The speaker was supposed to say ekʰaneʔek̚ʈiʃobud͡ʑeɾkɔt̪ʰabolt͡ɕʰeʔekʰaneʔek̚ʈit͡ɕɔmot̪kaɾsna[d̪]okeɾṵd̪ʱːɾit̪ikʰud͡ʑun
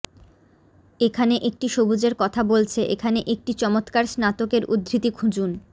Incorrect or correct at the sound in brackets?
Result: incorrect: t̪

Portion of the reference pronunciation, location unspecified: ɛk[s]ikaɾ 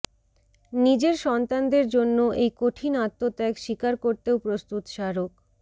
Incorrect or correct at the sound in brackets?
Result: incorrect: ʃ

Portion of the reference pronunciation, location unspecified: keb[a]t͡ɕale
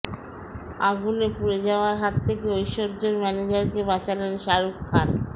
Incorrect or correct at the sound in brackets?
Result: correct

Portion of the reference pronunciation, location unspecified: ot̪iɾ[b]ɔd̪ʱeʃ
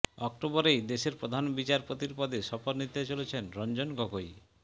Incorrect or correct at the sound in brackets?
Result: incorrect: p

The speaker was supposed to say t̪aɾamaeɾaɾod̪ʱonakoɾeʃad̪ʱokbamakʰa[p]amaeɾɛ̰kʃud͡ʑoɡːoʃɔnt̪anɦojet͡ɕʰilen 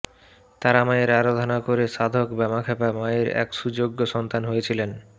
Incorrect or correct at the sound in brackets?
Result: correct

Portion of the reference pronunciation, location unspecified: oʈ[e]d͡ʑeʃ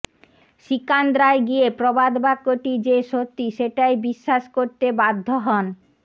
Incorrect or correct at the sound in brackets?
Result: incorrect: i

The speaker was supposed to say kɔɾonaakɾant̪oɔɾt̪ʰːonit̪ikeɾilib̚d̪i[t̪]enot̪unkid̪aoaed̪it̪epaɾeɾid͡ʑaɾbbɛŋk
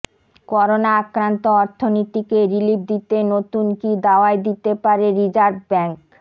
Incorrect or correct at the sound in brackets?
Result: correct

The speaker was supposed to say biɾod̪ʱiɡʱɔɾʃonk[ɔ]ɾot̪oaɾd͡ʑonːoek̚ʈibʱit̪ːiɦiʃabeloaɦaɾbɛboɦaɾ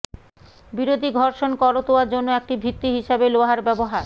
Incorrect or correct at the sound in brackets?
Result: correct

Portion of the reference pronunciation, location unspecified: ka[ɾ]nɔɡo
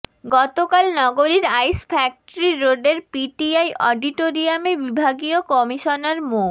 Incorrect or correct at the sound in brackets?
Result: incorrect: l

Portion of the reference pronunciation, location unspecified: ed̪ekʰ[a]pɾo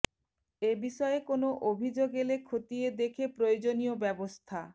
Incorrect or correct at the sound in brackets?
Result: incorrect: e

